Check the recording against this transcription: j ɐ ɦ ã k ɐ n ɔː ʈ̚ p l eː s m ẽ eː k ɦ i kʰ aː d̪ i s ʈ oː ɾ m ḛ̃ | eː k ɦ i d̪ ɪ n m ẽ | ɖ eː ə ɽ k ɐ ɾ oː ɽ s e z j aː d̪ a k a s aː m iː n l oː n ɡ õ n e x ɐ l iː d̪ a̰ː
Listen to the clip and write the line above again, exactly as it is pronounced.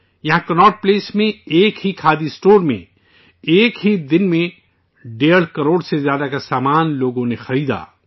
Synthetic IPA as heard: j ɐ ɦ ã k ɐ n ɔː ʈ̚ p l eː s m ẽ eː k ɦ i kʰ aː d̪ i s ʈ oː ɾ m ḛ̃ | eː k ɦ i d̪ ɪ n m ẽ | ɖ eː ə ɽ k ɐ ɾ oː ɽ s e z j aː d̪ a k a s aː m aː n l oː ɡ õ n e x ɐ ɾ iː d̪ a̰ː